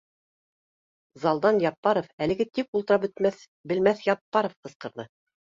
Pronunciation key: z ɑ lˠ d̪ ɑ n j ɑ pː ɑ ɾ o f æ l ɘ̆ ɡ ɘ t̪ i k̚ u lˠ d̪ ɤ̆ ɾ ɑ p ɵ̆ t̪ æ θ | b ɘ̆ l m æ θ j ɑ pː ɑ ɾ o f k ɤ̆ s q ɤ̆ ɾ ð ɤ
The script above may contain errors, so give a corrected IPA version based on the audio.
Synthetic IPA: z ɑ lˠ d̪ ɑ n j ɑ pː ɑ ɾ o f æ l ɘ̆ ɡ ɘ t̪ i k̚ u lˠ t̪ ɤ̆ ɾ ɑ p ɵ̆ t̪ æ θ | b ɘ̆ l m æ θ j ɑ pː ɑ ɾ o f q ɤ̆ s q ɤ̆ ɾ ð ɤ